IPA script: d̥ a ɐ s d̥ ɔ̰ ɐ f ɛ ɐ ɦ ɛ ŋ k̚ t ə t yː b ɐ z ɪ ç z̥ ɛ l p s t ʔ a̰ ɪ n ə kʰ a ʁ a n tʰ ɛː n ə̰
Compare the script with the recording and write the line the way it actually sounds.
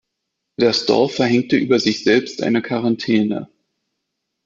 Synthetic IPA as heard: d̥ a ɐ s d̥ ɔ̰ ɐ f ɛ ɐ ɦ ɛ ŋ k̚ t ə ʔ yː b ɐ z ɪ ç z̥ ɛ l p s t ʔ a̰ ɪ n ə kʰ a ʁ a n tʰ ɛː n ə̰

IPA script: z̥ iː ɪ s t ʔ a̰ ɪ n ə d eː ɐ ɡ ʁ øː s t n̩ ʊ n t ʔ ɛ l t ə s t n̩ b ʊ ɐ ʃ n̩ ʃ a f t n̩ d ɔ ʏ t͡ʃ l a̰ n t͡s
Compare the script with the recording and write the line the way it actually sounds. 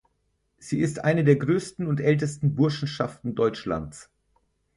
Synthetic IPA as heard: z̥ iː ɪ s t ʔ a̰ ɪ n ə d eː ɐ ɡ ʁ øː s t n̩ ʊ n t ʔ ɛ l t ə s t n̩ b ʊ ɐ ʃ n̩ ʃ a f t n̩ d ɔ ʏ t͡ʃ l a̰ n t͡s

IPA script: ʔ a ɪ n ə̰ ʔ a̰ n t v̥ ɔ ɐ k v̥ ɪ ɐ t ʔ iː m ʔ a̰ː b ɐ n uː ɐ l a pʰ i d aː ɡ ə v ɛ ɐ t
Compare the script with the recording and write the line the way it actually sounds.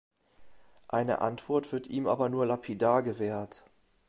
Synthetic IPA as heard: ʔ a ɪ n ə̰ ʔ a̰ n t v̥ ɔ ɐ t v̥ ɪ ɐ t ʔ iː m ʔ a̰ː b ɐ n uː ɐ l a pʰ i d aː ɡ ə v ɛː ɐ t

